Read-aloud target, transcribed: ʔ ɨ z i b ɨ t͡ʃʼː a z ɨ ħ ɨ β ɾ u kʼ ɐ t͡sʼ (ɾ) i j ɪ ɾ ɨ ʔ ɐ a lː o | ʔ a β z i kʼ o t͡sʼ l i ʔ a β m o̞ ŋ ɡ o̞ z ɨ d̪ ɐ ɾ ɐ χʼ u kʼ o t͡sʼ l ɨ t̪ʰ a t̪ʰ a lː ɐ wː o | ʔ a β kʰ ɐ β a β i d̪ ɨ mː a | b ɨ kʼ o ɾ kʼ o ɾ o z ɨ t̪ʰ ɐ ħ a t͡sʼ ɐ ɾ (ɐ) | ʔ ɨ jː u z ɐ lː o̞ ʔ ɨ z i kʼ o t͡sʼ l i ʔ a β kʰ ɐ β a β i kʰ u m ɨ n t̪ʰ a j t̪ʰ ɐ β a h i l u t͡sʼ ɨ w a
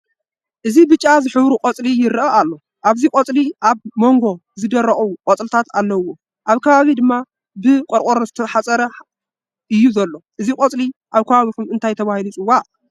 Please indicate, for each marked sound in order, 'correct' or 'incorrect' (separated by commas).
incorrect, correct